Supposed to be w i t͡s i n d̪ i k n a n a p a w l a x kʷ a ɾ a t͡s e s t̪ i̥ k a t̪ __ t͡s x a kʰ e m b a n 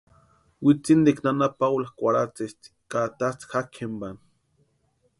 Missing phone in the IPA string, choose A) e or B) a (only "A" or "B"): B